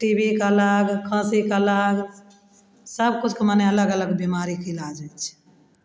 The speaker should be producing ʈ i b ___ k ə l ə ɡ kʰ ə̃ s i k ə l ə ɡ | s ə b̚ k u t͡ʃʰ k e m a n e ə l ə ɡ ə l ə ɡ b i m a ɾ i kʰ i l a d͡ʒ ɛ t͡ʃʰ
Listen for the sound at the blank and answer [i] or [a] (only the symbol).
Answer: i